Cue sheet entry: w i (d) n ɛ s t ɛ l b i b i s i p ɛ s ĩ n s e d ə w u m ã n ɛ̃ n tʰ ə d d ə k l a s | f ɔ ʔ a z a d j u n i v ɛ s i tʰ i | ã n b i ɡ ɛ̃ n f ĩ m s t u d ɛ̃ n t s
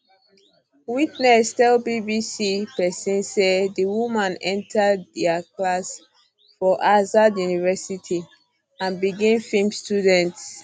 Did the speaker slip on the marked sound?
yes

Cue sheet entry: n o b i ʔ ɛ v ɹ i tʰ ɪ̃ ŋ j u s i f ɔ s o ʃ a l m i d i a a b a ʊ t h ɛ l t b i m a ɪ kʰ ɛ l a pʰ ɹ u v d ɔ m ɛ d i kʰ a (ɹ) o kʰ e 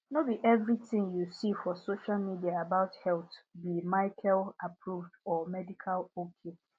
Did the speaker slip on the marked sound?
yes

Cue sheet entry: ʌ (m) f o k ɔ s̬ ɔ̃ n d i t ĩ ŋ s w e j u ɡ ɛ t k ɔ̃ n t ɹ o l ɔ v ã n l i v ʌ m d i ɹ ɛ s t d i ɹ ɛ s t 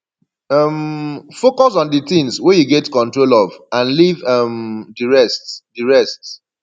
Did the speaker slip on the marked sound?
no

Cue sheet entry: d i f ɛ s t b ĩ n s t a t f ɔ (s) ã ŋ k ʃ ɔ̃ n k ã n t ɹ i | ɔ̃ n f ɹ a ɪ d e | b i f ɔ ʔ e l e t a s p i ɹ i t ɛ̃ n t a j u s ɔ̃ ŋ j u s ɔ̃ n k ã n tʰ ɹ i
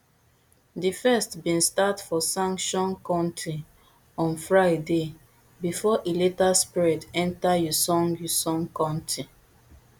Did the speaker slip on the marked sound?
no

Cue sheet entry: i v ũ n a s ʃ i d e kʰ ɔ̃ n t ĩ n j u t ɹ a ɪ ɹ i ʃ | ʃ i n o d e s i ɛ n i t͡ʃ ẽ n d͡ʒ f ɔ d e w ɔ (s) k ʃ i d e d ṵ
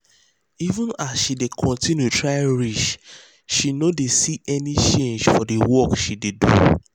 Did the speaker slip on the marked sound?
yes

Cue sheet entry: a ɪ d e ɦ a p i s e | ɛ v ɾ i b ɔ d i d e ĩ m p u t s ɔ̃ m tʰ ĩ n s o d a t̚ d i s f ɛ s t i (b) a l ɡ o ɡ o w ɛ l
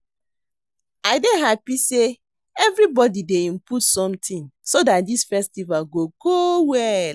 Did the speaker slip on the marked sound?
yes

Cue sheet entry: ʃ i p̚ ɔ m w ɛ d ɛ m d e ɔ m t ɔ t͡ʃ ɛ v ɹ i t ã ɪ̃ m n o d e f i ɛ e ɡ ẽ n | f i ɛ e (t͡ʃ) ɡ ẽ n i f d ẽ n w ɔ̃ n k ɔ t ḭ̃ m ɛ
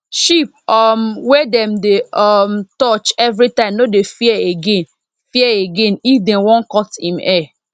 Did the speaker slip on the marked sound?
yes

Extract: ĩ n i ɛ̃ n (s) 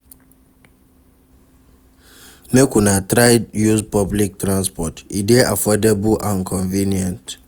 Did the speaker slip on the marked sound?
yes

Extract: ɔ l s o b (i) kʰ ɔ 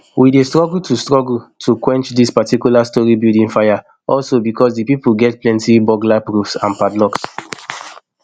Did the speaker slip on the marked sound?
no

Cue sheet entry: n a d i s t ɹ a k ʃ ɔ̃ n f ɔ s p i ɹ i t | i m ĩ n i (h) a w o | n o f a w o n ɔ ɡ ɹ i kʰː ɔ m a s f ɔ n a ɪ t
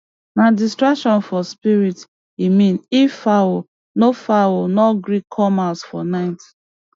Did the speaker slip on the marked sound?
yes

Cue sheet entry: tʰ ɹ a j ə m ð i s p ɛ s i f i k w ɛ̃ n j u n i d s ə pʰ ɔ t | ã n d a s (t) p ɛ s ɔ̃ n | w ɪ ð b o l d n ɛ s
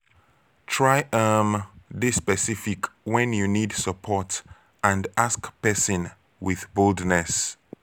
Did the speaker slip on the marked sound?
yes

